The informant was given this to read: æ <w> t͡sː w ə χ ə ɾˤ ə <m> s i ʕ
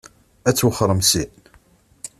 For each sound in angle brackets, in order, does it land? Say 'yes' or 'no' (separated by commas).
no, yes